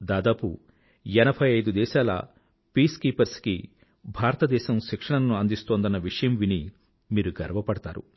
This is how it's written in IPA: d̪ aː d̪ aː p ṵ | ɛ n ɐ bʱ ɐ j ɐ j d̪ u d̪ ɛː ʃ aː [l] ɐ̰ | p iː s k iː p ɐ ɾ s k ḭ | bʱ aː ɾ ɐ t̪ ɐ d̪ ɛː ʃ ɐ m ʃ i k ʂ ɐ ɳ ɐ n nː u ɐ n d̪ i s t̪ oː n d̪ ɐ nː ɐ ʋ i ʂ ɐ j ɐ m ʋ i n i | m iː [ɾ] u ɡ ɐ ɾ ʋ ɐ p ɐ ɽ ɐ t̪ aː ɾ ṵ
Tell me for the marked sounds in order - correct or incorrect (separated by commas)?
correct, correct